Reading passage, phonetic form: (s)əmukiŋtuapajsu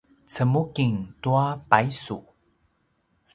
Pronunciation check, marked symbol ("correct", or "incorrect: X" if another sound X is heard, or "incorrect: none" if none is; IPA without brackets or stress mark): incorrect: t͡s